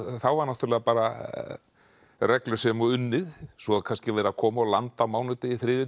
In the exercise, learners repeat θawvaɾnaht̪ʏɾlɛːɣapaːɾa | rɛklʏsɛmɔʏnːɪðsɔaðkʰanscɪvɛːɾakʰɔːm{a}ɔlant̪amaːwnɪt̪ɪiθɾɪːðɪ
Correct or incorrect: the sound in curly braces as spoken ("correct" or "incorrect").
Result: correct